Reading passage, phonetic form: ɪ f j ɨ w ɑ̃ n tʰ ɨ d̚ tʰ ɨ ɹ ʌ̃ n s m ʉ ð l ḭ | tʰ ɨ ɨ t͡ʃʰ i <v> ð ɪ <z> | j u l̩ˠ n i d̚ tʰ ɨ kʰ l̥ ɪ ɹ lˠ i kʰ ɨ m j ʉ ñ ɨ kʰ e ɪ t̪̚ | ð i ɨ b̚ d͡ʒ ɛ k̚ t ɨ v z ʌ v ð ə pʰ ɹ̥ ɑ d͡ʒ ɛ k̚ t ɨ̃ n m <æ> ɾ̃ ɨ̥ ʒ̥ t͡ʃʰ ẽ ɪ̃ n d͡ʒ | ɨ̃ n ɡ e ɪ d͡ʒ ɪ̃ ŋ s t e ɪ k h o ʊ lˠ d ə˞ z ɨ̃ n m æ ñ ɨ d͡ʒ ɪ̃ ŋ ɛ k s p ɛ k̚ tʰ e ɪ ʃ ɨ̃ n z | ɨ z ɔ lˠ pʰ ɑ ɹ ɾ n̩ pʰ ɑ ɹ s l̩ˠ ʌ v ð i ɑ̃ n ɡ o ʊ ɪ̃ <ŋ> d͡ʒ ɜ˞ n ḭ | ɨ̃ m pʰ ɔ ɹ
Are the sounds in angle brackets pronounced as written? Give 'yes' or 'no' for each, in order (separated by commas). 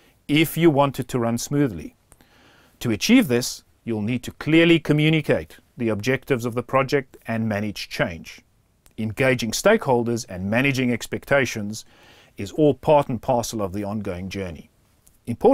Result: yes, no, yes, yes